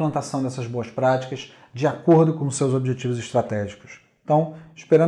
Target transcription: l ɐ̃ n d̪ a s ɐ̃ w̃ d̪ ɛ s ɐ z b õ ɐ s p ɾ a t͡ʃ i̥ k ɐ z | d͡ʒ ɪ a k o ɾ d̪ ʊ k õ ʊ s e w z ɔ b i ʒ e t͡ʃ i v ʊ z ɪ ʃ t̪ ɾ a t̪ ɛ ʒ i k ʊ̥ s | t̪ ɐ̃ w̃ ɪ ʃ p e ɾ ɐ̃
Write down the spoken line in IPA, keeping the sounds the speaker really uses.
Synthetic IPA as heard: l ɐ̃ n t̪ a s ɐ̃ w̃ d̪ ɛ s ɐ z b o ɐ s p ɾ a t͡ʃ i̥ k ɐ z | d͡ʒ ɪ a k o ɾ d̪ ʊ k õ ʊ s e w z o b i ʒ e t͡ʃ i v ʊ z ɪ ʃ t̪ ɾ a t̪ ɛ ʒ i k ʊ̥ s | t̪ ɐ̃ w̃ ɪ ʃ p e ɾ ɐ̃